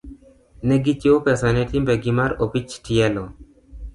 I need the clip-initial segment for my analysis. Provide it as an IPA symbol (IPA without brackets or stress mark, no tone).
n